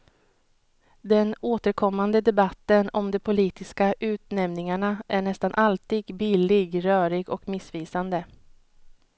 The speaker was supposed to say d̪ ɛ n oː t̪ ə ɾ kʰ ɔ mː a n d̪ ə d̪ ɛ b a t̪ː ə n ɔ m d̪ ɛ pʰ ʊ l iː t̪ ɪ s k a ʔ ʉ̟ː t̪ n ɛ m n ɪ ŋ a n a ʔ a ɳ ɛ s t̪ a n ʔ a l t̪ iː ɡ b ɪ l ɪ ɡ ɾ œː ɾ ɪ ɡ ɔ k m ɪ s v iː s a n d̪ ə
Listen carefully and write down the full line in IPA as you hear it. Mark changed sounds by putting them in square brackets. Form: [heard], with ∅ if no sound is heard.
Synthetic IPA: d̪ ɛ n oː t̪ ə ɾ kʰ ɔ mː a n d̪ ə d̪ ɛ b a t̪ː ə n ɔ m d̪ ɛ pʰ ʊ l iː t̪ ɪ s k a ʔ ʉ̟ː t̪ n ɛ m n ɪ ŋ a [ɳ] a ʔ [æ] ɳ ɛ s t̪ a n ʔ a l t̪ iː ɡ b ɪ l ɪ ɡ ɾ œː ɾ ɪ ɡ ɔ k m ɪ s v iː s a n d̪ ə